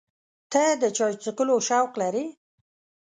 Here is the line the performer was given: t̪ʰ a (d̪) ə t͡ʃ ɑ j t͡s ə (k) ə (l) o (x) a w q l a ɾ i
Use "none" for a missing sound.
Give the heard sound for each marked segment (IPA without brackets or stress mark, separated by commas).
d̪, k, l, ʃ